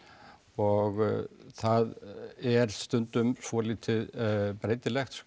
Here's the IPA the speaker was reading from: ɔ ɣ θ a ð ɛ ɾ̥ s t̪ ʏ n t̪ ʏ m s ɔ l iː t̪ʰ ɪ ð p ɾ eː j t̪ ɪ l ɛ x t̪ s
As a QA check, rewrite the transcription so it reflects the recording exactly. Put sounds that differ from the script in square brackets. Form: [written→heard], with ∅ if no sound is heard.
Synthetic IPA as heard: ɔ ɣ θ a ð ɛ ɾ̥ s t̪ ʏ n t̪ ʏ m s ɔ l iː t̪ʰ ɪ ð p ɾ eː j t̪ ɪ l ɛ x t̪ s